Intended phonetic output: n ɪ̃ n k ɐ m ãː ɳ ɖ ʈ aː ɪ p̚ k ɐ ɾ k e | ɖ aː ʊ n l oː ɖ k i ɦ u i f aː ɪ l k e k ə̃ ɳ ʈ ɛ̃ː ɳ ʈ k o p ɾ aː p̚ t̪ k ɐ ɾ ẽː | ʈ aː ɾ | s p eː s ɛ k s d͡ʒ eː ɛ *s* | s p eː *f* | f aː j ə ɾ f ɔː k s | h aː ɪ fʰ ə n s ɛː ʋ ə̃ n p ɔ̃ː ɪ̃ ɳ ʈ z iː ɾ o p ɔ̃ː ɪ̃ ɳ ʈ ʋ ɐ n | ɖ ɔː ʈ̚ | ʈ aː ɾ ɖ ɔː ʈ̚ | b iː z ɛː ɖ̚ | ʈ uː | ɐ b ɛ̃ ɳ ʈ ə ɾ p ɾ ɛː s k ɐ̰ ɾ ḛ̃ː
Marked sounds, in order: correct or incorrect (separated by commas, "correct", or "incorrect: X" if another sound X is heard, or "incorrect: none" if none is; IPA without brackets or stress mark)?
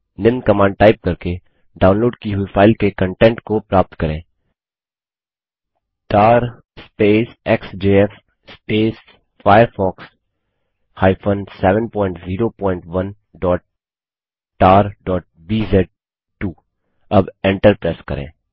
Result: incorrect: f, incorrect: s